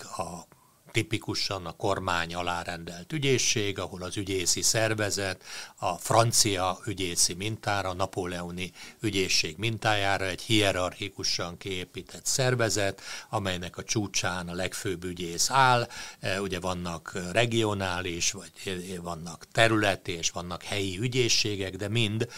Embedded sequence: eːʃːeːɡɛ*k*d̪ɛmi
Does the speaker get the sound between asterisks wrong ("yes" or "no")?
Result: yes